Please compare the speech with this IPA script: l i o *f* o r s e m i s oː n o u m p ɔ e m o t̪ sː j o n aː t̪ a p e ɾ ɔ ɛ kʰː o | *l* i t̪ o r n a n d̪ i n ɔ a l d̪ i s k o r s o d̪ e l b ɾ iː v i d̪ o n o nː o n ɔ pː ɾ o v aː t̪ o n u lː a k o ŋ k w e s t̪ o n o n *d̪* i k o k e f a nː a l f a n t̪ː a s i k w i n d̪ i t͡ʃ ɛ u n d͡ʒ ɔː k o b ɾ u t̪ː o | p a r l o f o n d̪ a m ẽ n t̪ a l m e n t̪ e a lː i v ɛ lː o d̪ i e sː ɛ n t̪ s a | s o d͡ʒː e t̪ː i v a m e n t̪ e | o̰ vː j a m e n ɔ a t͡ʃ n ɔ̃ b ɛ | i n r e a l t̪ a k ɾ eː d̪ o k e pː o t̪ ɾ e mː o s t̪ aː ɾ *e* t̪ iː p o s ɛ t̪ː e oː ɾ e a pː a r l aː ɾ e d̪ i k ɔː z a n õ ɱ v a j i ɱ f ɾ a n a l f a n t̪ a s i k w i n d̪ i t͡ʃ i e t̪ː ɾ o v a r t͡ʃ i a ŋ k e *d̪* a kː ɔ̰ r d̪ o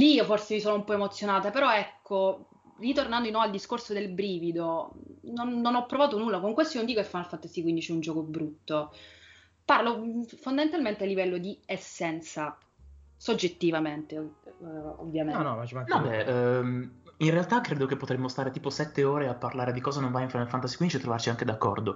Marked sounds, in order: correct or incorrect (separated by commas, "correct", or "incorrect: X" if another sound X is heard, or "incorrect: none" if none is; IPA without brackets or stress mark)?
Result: correct, incorrect: r, correct, correct, correct